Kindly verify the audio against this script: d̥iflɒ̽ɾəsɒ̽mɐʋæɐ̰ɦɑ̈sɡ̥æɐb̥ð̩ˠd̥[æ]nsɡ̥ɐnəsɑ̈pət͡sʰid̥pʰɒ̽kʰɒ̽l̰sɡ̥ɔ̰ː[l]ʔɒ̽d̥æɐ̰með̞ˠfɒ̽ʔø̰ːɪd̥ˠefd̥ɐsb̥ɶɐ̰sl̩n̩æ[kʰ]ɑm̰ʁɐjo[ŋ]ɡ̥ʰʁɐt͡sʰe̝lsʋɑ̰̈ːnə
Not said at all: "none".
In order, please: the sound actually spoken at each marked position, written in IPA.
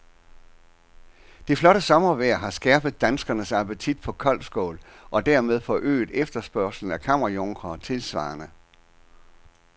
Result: æ, l, kʰ, ŋ

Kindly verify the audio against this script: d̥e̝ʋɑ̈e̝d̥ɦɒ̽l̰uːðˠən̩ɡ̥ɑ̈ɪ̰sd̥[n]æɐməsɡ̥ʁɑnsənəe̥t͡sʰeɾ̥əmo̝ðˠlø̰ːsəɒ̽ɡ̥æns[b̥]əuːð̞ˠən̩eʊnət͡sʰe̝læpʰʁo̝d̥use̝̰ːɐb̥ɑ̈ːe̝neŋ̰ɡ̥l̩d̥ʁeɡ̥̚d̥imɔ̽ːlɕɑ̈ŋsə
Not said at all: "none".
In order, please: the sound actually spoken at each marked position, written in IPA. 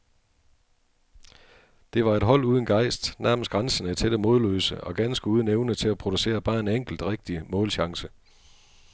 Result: n, ɡ̥

